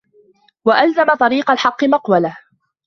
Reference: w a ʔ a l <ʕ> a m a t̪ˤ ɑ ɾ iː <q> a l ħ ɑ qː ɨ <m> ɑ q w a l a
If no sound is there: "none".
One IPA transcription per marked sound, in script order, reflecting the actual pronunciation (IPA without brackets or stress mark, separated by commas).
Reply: z, q, m